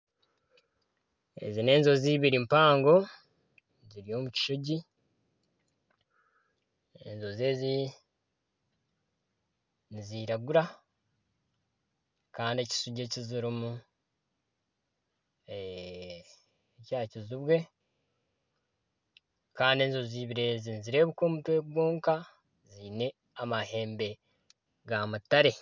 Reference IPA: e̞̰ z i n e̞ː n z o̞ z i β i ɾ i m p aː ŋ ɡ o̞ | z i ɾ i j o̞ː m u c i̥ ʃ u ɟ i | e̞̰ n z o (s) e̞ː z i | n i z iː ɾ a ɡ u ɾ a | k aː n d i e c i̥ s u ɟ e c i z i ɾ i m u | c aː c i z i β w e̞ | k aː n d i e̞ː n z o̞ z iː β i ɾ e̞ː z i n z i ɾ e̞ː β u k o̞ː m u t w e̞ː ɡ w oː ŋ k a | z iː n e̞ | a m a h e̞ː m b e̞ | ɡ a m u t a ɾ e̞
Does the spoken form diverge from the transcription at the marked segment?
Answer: yes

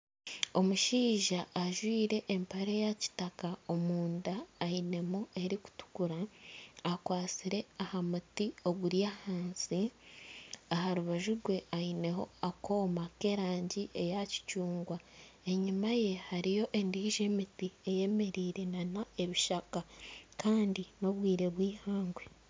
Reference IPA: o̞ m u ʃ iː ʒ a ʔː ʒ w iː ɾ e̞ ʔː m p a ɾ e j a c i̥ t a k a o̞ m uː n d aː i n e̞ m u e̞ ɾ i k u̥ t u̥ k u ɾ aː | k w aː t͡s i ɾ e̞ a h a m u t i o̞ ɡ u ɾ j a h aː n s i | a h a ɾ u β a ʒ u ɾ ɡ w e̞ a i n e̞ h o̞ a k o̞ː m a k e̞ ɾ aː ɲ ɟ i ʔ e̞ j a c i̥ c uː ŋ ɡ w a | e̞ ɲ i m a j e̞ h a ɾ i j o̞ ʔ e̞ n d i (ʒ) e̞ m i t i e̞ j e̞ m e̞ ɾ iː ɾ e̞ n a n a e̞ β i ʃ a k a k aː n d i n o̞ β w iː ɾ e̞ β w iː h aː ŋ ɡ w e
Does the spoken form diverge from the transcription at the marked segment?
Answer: no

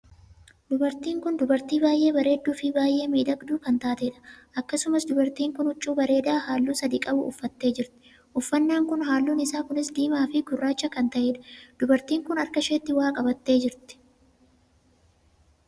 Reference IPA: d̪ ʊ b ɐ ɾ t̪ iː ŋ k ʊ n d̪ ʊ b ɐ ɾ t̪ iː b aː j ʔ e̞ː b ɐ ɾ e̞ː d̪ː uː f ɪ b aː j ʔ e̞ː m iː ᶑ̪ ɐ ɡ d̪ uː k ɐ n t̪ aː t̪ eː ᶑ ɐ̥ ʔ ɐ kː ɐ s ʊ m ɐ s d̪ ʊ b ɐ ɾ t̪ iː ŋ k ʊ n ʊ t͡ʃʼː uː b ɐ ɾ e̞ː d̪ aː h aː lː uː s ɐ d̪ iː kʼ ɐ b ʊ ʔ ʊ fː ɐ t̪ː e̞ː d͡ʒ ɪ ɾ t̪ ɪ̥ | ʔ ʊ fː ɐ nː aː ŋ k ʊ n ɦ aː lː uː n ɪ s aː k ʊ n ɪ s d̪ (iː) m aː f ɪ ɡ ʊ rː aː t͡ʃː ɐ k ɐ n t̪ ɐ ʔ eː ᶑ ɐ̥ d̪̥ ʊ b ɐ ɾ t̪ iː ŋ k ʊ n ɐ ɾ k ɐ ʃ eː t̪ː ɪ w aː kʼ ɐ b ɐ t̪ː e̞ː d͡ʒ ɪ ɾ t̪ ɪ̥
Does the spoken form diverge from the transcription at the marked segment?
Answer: no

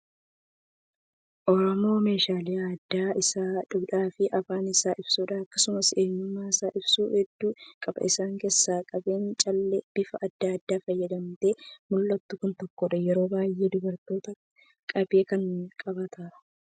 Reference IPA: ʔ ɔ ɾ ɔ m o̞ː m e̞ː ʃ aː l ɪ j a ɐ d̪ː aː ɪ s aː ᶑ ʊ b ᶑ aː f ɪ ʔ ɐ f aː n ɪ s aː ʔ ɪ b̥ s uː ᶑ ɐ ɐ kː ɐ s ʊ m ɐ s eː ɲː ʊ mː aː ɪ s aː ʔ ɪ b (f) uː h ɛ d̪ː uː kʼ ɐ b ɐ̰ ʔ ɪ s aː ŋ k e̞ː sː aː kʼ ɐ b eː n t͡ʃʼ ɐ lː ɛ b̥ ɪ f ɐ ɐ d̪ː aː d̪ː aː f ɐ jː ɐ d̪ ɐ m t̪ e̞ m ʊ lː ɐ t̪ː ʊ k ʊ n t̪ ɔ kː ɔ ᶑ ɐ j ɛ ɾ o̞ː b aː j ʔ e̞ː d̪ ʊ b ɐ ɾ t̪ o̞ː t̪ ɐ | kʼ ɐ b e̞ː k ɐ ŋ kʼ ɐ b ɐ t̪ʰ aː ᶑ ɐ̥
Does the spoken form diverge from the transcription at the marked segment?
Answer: yes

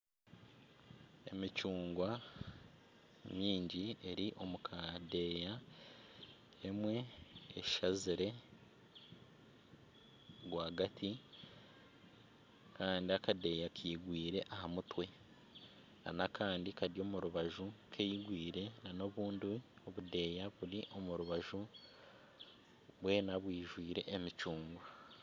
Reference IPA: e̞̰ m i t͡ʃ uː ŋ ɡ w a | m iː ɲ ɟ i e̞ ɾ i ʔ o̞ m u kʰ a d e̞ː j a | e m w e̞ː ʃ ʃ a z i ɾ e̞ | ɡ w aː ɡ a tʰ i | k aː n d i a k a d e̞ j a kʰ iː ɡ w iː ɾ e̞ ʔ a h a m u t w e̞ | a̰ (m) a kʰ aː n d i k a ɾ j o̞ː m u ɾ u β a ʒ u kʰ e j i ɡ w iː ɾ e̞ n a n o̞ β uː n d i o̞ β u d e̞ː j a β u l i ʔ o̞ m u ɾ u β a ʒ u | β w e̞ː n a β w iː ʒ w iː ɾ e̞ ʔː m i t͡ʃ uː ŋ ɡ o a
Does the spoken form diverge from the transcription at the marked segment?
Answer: yes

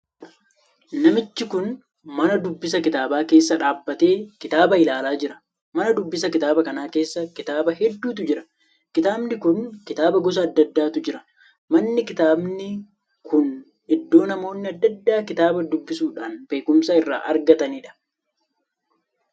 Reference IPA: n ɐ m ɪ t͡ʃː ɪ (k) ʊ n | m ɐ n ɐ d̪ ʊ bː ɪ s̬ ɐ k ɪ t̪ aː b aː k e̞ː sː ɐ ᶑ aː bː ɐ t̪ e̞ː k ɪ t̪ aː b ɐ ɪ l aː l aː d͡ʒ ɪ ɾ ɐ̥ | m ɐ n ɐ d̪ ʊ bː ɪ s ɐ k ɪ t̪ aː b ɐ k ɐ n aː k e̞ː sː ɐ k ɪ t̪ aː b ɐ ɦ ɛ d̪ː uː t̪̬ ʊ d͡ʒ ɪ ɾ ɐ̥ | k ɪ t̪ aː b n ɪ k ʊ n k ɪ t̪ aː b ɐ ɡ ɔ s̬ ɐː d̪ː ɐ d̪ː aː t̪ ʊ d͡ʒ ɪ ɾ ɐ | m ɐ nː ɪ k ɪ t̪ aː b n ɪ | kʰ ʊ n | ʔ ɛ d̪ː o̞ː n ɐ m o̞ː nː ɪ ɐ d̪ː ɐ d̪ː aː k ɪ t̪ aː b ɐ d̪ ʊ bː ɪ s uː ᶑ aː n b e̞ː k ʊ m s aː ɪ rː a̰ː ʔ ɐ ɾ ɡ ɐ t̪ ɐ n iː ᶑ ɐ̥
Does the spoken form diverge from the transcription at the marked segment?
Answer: no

